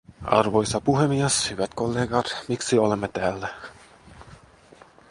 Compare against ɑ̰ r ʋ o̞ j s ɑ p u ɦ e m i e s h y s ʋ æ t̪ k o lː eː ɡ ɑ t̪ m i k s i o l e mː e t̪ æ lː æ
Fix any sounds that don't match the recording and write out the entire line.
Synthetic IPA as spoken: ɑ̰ r ʋ o̞ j s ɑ p u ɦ e m i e s h y ʋ æ t̪ k o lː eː ɡ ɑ t̪ m i k s i o l e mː e t̪ æː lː æ